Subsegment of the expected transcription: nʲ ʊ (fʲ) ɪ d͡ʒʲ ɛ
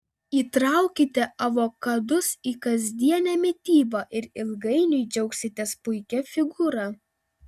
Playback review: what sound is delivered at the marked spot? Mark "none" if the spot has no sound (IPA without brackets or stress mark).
none